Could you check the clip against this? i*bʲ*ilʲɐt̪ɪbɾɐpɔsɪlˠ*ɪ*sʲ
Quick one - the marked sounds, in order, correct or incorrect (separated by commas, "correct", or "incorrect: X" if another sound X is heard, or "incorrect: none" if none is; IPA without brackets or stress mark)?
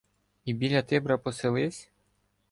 correct, correct